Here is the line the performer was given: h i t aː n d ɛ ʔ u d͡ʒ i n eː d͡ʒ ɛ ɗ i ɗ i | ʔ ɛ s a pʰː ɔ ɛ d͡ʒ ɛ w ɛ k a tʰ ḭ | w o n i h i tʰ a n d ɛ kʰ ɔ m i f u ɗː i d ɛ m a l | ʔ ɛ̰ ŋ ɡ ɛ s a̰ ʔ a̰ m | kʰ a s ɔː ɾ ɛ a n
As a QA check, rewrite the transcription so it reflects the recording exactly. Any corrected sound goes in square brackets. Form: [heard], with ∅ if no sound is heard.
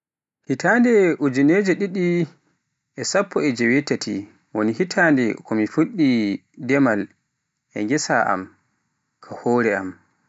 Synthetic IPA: h i t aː n d ɛ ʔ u d͡ʒ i n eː d͡ʒ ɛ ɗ i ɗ i | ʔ ɛ s a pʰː ɔ ɛ d͡ʒ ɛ w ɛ [t] a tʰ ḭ | w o n i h i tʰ a n d ɛ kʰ ɔ m i f u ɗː i d ɛ m a l | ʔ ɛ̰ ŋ ɡ ɛ s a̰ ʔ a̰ m | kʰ a [h] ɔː ɾ ɛ a [m]